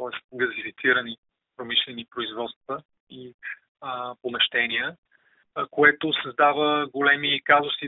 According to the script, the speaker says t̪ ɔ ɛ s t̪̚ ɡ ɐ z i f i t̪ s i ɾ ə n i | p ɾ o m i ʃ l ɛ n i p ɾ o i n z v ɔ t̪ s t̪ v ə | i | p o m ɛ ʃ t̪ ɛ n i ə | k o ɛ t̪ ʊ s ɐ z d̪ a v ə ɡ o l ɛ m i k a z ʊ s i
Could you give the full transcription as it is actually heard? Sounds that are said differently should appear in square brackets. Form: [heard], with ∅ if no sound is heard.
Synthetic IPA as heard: t̪ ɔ ɛ s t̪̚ ɡ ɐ z i f i t̪ s i ɾ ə n i | p ɾ o m i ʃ l ɛ n i p ɾ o i [∅] z v ɔ t̪ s t̪ v ə | i | p o m ɛ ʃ t̪ ɛ n i ə | k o ɛ t̪ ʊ s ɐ z d̪ a v ə ɡ o l ɛ m i k a z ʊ s i